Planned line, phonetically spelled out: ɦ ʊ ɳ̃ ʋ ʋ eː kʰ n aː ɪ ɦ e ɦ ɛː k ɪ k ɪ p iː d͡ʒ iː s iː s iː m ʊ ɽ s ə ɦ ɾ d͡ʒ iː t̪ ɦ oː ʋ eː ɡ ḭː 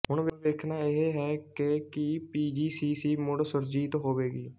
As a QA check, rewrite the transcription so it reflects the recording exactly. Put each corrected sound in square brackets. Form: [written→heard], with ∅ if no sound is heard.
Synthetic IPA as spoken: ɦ ʊ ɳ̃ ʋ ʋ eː kʰ n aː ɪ ɦ e ɦ ɛː k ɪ k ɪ p iː d͡ʒ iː s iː s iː m ʊ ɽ s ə [ɦ→∅] ɾ d͡ʒ iː t̪ ɦ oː ʋ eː ɡ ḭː